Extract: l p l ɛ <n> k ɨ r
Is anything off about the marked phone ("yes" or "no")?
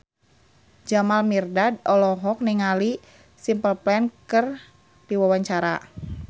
no